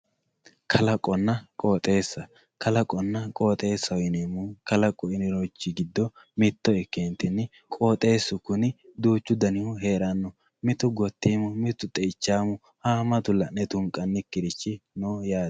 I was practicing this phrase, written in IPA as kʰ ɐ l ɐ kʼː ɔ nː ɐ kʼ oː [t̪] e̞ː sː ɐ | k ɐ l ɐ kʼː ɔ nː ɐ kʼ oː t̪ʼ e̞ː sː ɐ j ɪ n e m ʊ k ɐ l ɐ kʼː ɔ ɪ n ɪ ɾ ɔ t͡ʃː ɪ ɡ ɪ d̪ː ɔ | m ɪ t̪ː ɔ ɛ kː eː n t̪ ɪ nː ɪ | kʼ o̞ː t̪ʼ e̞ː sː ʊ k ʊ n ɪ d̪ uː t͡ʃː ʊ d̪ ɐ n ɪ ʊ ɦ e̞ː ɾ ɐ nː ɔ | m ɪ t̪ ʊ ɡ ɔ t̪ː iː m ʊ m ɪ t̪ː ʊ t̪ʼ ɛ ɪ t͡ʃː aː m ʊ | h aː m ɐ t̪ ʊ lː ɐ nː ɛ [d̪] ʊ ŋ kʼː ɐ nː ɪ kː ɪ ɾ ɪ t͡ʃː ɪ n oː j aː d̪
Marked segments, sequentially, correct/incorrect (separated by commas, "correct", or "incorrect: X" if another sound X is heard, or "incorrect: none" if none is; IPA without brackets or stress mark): incorrect: t̪ʼ, incorrect: t̪